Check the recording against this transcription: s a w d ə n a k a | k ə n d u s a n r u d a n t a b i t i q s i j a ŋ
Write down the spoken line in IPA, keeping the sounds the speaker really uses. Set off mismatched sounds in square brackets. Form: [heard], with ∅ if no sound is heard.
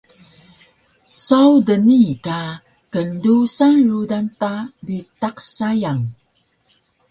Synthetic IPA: s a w d ə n [i] k a | k ə n d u s a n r u d a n t a b i t [a] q s [a] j a ŋ